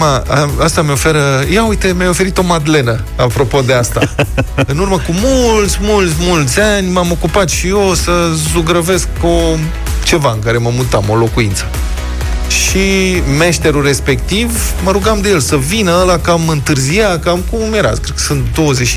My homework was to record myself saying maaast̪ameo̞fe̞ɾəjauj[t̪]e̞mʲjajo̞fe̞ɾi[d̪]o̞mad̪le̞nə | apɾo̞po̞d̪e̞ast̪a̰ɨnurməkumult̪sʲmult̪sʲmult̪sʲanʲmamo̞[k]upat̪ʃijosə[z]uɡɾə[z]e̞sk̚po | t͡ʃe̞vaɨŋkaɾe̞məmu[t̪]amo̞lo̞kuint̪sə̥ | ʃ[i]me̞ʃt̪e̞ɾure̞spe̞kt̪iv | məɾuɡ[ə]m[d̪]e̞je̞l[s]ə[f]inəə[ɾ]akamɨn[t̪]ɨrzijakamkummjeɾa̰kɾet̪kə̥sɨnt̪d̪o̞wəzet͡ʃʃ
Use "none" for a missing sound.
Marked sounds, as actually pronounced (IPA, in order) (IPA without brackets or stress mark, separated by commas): t̪, t̪, k, z, v, t̪, i, a, d̪, s, v, l, t̪